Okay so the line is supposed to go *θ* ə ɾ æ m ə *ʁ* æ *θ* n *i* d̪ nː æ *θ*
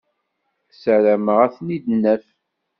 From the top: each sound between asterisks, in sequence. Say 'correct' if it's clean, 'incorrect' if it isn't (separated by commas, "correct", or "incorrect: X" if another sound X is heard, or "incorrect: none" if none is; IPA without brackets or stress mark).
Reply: incorrect: s, correct, correct, correct, incorrect: f